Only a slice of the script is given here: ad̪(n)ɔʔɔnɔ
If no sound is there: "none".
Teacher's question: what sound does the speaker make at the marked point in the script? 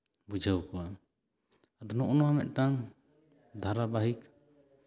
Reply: n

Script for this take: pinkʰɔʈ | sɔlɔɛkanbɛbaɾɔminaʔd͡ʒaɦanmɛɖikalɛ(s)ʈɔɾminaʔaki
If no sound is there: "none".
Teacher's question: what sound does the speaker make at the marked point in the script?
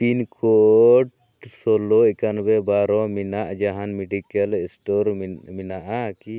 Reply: s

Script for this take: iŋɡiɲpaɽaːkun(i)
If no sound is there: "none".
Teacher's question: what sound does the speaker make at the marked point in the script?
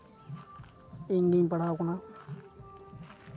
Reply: a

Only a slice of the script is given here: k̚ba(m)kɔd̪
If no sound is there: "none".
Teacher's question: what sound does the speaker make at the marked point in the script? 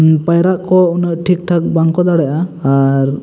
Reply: ŋ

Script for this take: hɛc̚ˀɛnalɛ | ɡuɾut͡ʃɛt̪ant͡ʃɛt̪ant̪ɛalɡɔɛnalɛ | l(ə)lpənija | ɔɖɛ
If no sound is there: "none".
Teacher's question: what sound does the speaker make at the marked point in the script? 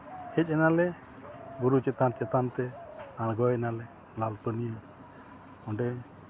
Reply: a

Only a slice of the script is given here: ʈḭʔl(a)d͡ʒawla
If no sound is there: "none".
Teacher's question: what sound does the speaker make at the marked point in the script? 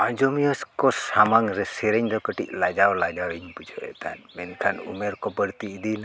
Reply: a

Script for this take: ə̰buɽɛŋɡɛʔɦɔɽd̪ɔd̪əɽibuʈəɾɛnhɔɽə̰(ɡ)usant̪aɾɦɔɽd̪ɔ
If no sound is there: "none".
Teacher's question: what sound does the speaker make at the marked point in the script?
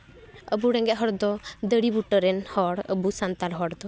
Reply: b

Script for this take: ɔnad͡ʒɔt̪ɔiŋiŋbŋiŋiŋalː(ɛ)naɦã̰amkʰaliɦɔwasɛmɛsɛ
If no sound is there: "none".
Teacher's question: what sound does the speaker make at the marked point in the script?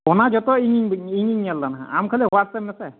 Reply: a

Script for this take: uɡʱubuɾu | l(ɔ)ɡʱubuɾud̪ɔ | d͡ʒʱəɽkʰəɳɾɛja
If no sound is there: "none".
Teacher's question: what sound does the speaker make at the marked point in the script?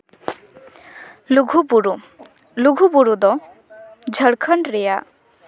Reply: u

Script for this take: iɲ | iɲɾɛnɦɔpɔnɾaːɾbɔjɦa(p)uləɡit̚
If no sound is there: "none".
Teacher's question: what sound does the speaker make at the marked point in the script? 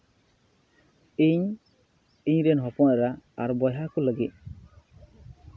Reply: k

